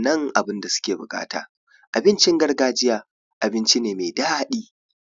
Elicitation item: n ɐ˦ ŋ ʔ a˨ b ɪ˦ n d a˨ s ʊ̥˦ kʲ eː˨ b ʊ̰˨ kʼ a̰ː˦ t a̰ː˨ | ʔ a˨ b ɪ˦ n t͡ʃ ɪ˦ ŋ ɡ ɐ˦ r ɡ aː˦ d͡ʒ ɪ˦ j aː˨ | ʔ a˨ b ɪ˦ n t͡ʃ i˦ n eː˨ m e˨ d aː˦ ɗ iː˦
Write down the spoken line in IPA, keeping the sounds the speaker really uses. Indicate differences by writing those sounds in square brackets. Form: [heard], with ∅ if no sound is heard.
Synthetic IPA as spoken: n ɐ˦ ŋ ʔ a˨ b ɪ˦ n d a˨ s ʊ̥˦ kʲ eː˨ b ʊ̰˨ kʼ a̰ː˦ t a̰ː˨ | ʔ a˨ b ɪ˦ n t͡ʃ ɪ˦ ŋ ɡ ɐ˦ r ɡ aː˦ d͡ʒ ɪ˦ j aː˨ | ʔ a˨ b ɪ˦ n t͡ʃ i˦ n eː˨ m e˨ d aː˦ ɗ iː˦